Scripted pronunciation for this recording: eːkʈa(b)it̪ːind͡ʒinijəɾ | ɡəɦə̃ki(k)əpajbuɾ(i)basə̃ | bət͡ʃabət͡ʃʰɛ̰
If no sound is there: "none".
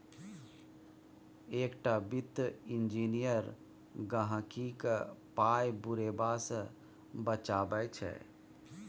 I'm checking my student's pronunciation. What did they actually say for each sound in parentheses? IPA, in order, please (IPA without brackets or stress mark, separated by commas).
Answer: b, k, e